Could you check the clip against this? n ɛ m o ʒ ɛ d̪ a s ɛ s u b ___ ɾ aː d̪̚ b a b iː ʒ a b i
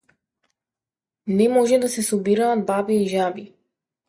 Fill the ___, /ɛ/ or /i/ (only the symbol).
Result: i